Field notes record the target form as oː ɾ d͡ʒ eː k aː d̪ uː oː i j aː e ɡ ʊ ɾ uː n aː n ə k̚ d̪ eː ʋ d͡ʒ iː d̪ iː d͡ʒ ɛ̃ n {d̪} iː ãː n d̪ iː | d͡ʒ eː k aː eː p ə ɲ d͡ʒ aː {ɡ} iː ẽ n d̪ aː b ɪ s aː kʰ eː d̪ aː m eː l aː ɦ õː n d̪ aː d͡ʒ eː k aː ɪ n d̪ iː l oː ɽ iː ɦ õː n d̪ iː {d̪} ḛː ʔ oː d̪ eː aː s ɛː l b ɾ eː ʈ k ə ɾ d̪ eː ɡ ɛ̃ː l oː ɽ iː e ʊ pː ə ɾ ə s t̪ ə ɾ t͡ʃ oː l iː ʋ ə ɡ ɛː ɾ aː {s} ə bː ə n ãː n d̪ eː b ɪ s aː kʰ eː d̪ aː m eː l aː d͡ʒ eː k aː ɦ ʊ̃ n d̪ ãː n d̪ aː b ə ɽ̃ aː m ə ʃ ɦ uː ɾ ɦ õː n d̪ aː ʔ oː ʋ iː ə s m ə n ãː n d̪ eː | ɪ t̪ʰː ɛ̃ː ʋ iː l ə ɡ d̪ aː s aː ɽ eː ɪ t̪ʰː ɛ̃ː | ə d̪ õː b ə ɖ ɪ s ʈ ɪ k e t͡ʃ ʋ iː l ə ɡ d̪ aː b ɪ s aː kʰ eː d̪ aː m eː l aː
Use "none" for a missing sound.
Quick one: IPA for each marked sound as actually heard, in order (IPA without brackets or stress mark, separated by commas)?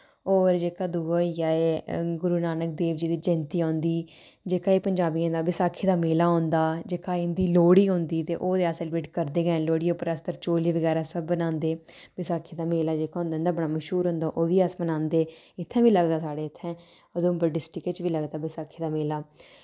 t̪, b, t̪, s